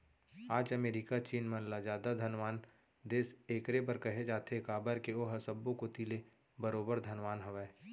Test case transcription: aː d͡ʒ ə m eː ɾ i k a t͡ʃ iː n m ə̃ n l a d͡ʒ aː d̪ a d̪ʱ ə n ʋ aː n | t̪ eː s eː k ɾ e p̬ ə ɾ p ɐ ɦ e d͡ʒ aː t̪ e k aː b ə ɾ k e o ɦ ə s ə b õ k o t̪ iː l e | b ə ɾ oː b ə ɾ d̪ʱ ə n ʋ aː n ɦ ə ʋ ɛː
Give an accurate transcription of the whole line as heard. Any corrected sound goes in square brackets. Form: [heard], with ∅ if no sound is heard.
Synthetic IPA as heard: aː d͡ʒ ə m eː ɾ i k a t͡ʃ iː n m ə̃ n l a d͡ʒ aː d̪ a d̪ʱ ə n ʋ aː n | [d̪] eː s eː k ɾ e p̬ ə ɾ [k] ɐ ɦ e d͡ʒ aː t̪ e k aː b ə ɾ k e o ɦ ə s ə b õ k o t̪ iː l e | b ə ɾ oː b ə ɾ d̪ʱ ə n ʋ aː n ɦ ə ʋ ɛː